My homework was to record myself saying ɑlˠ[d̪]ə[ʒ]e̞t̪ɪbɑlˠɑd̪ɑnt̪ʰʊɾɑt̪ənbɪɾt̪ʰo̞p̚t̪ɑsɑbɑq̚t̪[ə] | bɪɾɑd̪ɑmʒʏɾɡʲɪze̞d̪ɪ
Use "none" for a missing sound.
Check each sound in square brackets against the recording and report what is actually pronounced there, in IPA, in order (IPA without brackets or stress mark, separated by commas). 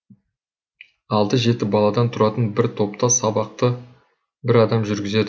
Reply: d̪, ʒ, ə